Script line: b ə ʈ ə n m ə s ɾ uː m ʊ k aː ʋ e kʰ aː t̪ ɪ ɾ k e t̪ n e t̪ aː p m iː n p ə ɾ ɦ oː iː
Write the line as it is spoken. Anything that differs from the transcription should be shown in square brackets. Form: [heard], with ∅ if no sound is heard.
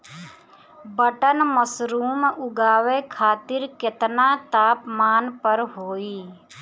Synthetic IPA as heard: b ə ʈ ə n m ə s ɾ uː m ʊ [ɡ] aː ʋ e kʰ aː t̪ ɪ ɾ k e t̪ n [a] t̪ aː p m [aː] n p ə ɾ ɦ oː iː